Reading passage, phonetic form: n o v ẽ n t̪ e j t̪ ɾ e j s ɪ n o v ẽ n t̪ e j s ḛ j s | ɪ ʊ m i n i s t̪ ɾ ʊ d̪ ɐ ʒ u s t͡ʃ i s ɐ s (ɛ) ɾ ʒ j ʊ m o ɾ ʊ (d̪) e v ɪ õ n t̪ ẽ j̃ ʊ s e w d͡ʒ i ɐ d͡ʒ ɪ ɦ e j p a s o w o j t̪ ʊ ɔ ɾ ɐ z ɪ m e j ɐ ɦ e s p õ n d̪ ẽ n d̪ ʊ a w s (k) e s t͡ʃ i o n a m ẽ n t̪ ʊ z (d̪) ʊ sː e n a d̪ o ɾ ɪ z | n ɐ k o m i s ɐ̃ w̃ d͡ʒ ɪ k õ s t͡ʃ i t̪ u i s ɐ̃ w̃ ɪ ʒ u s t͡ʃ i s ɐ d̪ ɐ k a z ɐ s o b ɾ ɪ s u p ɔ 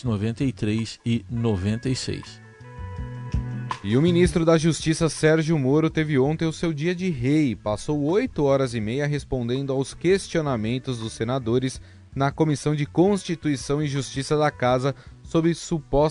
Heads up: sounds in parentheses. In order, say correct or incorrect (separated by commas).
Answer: correct, incorrect, correct, correct